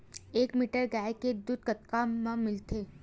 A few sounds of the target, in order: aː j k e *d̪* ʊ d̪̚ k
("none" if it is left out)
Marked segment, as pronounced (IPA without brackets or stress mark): d̪